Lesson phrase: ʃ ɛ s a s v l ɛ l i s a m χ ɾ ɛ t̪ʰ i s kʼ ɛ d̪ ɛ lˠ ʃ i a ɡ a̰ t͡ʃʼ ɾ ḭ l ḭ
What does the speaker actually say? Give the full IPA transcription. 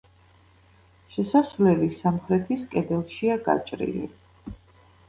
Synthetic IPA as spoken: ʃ ɛ s a s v l ɛ l i s a m χ ɾ ɛ t̪ʰ i s kʼ ɛ d̪ ɛ lˠ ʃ i a ɡ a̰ t͡ʃʼ ɾ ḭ l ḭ